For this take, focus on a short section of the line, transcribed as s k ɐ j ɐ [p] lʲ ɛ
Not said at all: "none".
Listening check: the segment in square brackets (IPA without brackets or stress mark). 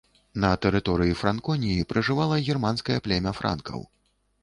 p